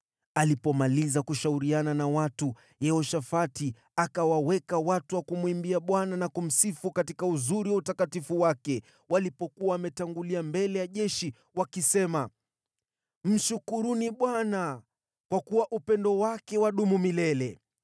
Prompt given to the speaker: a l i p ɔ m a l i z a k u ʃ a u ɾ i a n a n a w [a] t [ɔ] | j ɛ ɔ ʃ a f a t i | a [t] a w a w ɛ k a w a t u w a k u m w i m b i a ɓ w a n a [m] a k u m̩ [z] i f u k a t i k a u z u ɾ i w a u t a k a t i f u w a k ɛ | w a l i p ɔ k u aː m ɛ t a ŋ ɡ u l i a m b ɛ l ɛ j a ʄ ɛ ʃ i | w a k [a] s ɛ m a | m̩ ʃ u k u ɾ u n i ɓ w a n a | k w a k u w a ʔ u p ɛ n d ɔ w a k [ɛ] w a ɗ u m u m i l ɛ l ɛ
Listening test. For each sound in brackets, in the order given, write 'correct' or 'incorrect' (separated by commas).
correct, incorrect, incorrect, incorrect, incorrect, incorrect, correct